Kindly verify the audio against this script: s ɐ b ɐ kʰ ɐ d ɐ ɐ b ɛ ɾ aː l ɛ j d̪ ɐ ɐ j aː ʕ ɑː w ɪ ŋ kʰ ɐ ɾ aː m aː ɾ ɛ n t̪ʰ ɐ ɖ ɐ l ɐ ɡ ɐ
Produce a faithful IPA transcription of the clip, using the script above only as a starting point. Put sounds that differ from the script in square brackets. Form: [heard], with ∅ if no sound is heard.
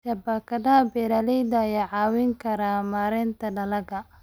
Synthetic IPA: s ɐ b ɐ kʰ ɐ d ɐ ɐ b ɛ ɾ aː l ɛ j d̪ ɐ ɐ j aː ʕ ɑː w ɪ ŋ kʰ ɐ ɾ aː m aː ɾ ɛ n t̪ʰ ɐ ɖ ɐ l ɐ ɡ ɐ